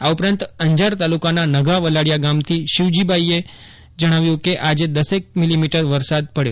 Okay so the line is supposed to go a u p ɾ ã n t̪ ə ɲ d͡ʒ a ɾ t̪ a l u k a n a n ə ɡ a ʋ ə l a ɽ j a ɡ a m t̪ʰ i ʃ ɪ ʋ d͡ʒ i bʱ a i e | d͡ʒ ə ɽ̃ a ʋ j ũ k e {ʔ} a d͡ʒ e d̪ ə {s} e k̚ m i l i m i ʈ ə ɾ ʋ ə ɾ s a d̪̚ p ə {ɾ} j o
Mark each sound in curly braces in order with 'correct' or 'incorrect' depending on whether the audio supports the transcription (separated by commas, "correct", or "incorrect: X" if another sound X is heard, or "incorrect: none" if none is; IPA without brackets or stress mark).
correct, correct, incorrect: ɽ